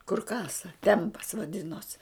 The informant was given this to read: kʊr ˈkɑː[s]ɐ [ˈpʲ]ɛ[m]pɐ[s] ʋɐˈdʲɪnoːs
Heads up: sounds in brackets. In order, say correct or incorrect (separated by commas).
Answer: correct, incorrect, correct, correct